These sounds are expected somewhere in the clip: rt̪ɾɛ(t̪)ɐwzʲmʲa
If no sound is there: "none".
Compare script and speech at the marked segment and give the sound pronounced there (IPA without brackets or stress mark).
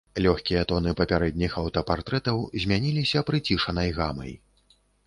t̪